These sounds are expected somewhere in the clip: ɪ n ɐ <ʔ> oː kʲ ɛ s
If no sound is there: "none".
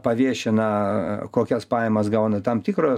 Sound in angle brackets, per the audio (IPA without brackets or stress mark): k